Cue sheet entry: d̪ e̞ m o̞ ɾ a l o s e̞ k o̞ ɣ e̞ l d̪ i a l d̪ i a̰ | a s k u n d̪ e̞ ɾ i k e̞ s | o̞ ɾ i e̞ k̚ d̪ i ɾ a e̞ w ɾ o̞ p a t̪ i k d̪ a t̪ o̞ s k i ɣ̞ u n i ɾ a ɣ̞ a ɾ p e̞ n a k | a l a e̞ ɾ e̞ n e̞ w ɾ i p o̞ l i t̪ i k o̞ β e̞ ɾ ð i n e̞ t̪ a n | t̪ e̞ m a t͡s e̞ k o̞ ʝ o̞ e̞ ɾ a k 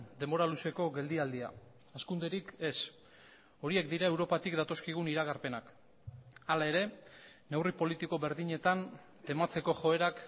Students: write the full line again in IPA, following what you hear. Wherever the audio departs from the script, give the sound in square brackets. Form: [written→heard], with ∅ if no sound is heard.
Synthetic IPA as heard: d̪ e̞ m o̞ ɾ a l [o→u] s e̞ k o̞ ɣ e̞ l d̪ i a l d̪ i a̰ | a s k u n d̪ e̞ ɾ i k e̞ s | o̞ ɾ i e̞ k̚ d̪ i ɾ a e̞ w ɾ o̞ p a t̪ i k d̪ a t̪ o̞ s k i ɣ̞ u n i ɾ a ɣ̞ a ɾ p e̞ n a k | a l a e̞ ɾ e̞ n e̞ w [ɾ→r] i p o̞ l i t̪ i k o̞ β e̞ ɾ ð i [n→ɲ] e̞ t̪ a n | t̪ e̞ m a t͡s e̞ k o̞ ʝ o̞ e̞ ɾ a k